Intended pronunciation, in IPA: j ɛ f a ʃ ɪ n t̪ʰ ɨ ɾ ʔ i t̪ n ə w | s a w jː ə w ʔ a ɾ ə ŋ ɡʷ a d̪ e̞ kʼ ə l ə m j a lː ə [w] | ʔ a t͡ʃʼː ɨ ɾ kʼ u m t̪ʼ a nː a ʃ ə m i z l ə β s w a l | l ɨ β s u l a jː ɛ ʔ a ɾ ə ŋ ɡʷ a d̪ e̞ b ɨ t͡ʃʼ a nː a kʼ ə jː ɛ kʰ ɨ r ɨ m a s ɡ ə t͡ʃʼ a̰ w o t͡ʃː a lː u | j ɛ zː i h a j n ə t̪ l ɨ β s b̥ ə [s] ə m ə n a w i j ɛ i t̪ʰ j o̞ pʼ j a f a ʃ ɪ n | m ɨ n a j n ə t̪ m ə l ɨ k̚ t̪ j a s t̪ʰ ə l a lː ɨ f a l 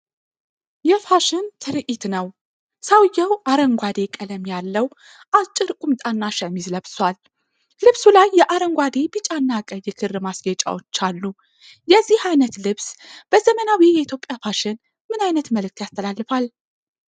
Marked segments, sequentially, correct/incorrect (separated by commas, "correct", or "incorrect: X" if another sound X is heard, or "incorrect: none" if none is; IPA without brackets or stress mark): correct, incorrect: z